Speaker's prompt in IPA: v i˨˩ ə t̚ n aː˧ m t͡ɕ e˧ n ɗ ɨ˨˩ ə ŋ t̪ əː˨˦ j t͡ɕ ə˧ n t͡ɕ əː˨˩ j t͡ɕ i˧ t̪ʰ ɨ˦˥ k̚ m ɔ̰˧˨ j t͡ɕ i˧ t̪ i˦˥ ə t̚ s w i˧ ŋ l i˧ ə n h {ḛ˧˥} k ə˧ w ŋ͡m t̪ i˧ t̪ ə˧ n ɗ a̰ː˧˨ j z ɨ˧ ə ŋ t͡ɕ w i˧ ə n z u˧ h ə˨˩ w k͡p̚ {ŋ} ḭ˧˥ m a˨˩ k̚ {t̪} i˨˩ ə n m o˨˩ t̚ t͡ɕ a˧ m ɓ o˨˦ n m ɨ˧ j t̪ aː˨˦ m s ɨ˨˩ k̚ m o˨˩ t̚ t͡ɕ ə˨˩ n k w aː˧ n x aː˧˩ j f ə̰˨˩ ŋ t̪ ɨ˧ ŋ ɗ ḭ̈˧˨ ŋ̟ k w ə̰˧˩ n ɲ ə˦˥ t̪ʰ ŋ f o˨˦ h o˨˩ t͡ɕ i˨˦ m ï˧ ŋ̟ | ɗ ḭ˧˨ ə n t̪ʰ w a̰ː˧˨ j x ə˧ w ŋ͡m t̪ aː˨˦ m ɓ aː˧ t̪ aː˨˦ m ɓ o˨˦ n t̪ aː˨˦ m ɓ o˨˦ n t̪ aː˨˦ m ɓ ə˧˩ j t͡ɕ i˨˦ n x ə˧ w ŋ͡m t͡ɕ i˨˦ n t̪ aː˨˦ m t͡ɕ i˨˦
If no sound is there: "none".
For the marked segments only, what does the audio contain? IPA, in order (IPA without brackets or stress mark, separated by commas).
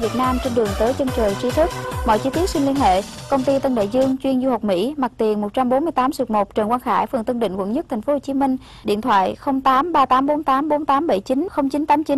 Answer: ḛ˧˨, m, t̪